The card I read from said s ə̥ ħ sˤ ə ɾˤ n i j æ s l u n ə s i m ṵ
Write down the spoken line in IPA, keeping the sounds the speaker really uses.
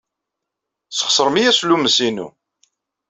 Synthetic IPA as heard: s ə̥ χ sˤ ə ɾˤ m i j æ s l u m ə s i n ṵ